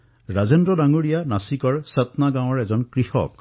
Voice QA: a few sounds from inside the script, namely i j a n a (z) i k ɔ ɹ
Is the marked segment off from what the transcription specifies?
yes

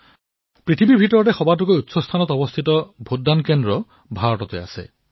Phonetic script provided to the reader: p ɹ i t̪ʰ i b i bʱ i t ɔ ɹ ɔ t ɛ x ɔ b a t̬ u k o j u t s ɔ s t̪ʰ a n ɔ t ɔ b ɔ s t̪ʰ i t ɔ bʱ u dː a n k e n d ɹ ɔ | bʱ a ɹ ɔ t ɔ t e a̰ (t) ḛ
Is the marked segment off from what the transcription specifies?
yes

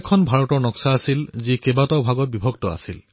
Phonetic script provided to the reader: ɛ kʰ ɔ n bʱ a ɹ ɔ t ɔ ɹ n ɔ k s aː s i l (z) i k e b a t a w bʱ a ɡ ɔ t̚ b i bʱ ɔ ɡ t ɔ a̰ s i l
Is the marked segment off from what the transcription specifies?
no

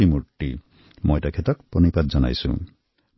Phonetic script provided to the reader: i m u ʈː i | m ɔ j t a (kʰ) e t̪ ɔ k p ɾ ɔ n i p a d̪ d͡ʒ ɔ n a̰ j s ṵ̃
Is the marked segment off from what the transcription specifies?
no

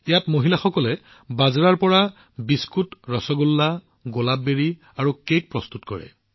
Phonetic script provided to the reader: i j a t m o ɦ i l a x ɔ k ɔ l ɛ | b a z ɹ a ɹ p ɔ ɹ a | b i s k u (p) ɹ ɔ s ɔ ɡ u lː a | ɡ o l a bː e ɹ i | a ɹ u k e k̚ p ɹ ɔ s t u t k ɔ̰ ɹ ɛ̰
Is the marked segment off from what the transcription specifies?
yes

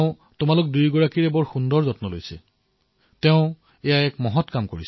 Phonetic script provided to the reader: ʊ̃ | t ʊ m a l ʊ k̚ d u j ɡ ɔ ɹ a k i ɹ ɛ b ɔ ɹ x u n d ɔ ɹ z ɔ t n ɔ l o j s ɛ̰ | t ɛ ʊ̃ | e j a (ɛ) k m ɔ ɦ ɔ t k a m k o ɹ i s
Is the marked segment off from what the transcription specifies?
no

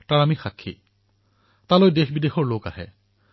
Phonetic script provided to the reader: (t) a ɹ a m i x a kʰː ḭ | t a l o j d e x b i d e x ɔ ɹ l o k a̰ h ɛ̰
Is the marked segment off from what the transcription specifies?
no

